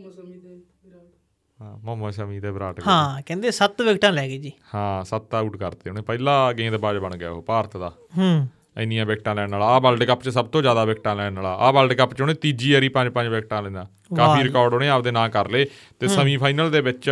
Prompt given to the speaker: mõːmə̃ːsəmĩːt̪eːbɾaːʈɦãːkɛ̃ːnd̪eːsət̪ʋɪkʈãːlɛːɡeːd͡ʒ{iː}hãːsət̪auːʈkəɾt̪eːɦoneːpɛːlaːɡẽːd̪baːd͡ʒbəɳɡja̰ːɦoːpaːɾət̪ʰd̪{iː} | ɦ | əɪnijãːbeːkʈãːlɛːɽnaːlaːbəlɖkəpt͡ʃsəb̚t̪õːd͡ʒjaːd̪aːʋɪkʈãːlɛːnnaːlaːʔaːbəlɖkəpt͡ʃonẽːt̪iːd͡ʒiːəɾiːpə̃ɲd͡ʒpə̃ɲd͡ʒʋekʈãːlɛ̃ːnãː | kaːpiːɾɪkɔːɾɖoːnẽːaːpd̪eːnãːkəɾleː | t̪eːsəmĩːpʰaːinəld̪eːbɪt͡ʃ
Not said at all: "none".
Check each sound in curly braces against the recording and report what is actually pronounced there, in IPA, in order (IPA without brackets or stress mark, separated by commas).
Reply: iː, aː